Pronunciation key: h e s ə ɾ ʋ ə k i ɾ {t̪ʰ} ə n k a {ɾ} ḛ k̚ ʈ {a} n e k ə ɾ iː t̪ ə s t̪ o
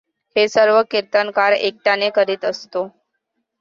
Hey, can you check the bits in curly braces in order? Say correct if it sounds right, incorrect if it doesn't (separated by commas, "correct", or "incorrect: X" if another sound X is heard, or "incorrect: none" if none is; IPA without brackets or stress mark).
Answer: incorrect: t̪, correct, correct